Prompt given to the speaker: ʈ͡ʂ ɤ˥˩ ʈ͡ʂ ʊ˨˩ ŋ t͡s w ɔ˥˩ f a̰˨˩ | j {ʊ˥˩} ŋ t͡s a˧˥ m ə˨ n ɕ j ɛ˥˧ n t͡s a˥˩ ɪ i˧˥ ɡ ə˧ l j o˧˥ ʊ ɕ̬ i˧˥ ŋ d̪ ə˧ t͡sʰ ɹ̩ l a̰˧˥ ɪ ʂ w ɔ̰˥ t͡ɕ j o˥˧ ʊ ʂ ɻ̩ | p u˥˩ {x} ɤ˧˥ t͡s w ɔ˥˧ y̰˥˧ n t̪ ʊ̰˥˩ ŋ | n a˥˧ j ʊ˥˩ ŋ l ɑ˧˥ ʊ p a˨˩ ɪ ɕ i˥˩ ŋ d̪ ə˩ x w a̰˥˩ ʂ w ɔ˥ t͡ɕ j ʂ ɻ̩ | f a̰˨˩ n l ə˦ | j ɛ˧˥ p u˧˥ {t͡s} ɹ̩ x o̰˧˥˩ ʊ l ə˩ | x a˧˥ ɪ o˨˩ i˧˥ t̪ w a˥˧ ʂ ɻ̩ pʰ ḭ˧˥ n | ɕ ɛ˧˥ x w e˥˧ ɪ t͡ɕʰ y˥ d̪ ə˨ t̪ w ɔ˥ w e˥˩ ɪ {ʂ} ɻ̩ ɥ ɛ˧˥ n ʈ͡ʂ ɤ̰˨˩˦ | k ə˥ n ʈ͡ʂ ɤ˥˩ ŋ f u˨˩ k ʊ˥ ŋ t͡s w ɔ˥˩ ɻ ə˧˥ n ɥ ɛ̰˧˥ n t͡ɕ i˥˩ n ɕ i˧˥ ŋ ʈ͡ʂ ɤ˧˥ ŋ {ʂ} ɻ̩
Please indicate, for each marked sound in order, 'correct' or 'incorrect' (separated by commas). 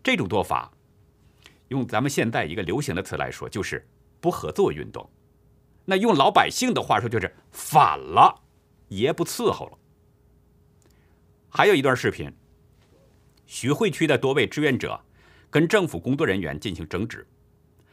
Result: correct, correct, incorrect, incorrect, incorrect